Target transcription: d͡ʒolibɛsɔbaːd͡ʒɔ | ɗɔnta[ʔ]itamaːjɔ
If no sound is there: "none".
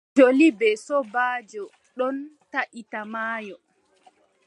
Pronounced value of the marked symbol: ʔ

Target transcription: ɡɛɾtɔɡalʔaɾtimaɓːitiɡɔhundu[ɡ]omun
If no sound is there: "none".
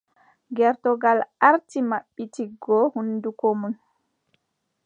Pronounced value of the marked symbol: k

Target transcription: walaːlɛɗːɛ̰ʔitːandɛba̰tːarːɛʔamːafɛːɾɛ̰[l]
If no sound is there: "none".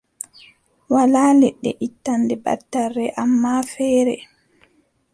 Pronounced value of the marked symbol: none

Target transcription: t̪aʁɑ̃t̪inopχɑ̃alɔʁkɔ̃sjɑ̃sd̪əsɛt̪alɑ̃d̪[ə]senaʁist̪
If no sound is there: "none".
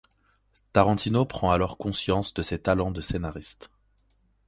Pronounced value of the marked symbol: ə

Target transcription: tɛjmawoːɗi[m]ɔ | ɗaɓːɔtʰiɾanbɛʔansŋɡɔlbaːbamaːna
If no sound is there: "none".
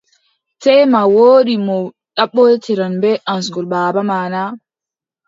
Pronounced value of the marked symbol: m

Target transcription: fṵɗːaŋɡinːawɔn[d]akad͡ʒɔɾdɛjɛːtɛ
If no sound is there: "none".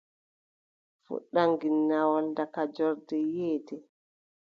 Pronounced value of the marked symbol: d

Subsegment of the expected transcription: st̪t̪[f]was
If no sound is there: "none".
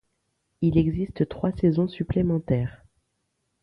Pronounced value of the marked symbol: χ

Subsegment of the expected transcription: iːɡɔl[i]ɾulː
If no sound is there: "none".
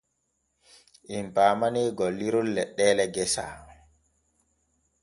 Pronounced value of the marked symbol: i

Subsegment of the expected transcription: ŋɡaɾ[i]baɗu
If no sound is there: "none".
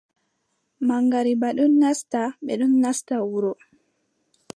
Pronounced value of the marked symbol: i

